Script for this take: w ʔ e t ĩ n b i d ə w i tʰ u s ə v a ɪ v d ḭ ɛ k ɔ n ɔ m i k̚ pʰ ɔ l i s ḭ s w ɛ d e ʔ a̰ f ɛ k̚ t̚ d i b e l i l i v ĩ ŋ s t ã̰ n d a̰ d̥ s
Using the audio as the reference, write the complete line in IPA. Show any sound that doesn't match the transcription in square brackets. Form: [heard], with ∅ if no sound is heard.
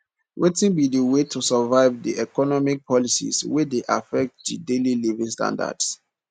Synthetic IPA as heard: w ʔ e t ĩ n b i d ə w [e] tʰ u s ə v a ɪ v d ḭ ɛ k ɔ n ɔ m i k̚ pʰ ɔ l i s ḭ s w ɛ d e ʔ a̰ f ɛ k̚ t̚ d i [d] e l i l i v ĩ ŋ s t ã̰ n d a̰ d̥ s

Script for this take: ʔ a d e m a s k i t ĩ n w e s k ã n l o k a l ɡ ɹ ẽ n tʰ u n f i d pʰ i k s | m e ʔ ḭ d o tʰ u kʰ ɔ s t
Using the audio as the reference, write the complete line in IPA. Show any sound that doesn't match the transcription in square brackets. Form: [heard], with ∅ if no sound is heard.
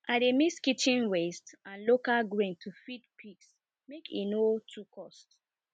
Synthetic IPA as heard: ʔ a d e m [i] s k i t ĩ n w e s [t] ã n l o k a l ɡ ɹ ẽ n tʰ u [∅] f i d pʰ i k s | m e [k] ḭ [n] o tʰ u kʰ ɔ s t

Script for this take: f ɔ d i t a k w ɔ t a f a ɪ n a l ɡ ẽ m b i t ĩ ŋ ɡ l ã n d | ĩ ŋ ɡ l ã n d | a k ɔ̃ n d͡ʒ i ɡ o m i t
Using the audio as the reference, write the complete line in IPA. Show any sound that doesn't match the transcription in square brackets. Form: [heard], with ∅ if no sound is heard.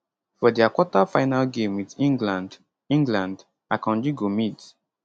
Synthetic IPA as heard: f ɔ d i [∅] a k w ɔ t a f a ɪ n a l ɡ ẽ m [w] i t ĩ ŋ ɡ l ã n d | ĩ ŋ ɡ l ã n d | a k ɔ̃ n d͡ʒ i ɡ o m i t

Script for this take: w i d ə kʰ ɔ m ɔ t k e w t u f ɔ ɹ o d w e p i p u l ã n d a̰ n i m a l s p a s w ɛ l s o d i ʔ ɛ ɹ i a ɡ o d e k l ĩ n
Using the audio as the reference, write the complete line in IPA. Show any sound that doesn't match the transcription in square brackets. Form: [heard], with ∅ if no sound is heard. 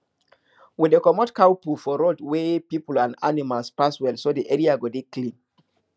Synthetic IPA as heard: w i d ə [k] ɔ m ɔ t k [a] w [p] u f ɔ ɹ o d w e p i p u l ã n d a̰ n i m a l s p a s w ɛ l s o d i ʔ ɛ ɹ i a ɡ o d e k l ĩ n

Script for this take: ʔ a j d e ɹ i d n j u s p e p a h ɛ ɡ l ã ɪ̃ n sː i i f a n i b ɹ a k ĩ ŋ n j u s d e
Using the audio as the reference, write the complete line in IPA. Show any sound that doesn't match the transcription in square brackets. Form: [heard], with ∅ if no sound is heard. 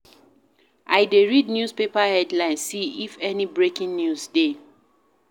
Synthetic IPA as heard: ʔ a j d e ɹ i d n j u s p e p a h ɛ [d] l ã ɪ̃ n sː i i f [ɛ] n i b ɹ [e] k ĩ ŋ n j u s d e

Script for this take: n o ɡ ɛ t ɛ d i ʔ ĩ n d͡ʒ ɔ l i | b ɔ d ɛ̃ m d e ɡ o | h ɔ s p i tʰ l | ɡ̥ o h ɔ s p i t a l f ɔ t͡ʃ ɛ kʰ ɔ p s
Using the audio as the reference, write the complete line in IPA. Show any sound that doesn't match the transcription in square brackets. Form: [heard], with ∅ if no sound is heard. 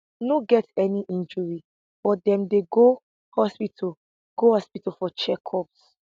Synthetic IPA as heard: n o ɡ ɛ t ɛ [n] i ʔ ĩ n d͡ʒ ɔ [ɹ] i | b ɔ d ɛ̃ m d e ɡ o | h ɔ s p i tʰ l | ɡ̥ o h ɔ s p i t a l f ɔ t͡ʃ ɛ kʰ ɔ p s

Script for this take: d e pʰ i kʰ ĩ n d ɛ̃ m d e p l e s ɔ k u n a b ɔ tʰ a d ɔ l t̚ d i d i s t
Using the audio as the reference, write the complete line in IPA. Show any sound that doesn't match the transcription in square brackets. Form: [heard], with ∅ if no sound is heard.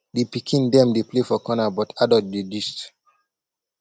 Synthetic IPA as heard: d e [p] i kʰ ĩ n d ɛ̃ m d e p l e [f] ɔ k [ɔ] n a b ɔ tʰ a d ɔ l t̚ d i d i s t

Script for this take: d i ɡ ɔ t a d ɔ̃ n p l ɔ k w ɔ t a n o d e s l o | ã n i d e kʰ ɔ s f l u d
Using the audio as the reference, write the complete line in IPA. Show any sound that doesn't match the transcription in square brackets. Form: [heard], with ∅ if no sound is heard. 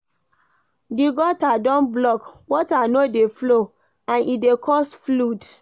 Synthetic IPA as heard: d i ɡ ɔ t a d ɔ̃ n [b] l ɔ k w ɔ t a n o d e [f] l o | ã n i d e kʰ ɔ s f l u d

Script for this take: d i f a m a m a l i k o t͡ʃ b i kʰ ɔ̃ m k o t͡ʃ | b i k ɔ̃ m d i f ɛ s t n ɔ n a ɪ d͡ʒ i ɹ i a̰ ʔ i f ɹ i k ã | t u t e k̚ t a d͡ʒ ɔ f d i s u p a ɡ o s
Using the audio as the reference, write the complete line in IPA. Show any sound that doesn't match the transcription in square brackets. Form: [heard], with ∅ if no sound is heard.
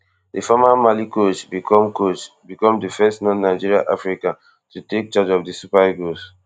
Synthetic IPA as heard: d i f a m a m a l i k o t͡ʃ b i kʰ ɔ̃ m k o t͡ʃ | b i k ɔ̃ m d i f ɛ s t n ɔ n a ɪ d͡ʒ i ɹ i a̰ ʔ [a] f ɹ i k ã | t u t e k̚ [t͡ʃ] a d͡ʒ ɔ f d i s u p a ɡ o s

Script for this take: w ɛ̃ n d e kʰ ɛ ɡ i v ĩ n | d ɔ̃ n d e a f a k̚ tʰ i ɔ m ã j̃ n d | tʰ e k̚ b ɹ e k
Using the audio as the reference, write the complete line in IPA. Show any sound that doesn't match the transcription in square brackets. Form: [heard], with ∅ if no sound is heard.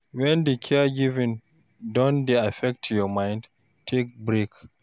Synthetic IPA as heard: w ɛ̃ n d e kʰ ɛ ɡ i v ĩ n | d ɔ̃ n d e a f [ɛ] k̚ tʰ [j] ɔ m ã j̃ n d | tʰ e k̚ b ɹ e k

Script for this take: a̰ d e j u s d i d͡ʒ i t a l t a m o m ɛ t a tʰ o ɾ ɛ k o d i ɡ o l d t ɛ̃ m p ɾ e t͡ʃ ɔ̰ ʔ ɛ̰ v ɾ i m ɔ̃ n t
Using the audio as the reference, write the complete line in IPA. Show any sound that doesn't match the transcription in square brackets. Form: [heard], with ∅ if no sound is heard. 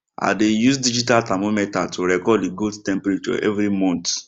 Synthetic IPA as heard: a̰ d e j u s d i d͡ʒ i t a l t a m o m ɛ t a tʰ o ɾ ɛ k [ɔ] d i ɡ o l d t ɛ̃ m p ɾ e t͡ʃ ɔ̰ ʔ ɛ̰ v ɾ i m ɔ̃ n t

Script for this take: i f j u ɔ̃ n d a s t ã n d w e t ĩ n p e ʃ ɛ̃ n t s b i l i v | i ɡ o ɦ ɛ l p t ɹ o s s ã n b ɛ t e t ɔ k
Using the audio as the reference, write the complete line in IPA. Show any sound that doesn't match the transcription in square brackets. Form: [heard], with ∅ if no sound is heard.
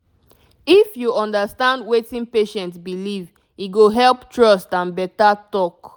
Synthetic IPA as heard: i f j u ɔ̃ n d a s t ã n d w e t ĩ n p e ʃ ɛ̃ n t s b i l i v | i ɡ o ɦ ɛ l p t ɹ [ɔ] s [t] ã n b ɛ t [a] t ɔ k

